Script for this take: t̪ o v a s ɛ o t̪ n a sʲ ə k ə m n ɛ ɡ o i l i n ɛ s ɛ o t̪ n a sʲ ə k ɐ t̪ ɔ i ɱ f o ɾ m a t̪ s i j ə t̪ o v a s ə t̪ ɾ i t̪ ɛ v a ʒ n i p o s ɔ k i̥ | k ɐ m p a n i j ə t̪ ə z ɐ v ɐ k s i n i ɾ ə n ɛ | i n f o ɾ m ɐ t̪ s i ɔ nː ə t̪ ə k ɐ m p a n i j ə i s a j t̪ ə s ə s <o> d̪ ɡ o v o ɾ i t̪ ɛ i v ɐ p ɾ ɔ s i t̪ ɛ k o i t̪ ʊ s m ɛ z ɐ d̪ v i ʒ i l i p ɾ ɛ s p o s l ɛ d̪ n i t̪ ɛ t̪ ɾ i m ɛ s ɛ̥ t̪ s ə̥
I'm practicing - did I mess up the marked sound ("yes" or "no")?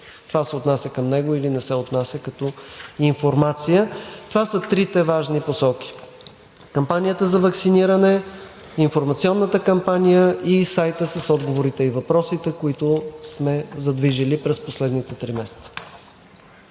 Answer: yes